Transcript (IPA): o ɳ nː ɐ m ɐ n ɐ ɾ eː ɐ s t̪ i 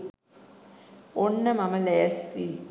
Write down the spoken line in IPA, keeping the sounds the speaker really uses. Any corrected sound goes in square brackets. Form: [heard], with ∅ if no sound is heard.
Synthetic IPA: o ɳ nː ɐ m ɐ [m] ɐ [l] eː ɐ s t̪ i